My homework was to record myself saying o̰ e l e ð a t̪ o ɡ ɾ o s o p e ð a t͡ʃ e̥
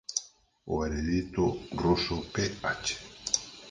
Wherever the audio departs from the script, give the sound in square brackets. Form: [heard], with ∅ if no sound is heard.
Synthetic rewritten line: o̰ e [ɾ] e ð [i] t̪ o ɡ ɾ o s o p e [∅] a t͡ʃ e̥